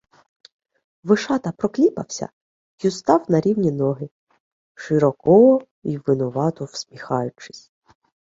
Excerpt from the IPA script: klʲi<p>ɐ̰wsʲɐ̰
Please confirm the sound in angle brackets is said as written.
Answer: yes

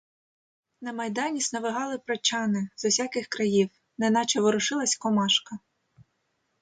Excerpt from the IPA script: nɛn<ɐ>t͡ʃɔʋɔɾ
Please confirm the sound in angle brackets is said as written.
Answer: no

